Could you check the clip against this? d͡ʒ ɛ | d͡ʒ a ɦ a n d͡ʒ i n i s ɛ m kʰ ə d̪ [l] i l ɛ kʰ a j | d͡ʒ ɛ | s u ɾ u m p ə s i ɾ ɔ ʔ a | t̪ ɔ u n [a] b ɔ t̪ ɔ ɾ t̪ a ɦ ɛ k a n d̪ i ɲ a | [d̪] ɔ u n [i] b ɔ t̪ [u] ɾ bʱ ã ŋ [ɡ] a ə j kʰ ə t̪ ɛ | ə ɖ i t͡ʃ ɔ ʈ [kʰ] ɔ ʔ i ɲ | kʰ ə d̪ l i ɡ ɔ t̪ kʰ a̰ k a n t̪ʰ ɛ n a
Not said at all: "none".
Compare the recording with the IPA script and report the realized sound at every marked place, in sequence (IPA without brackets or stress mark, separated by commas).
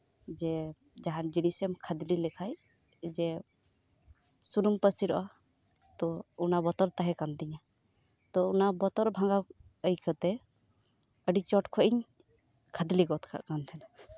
l, a, t̪, a, ɔ, ɡ, kʰ